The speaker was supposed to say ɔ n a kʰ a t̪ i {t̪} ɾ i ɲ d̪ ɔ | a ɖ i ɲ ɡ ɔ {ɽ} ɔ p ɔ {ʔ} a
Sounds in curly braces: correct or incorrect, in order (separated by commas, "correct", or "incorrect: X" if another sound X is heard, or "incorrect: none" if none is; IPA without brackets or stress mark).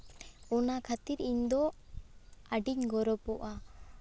incorrect: none, incorrect: ɾ, correct